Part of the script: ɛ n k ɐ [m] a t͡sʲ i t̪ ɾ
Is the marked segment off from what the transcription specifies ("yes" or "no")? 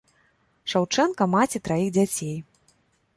no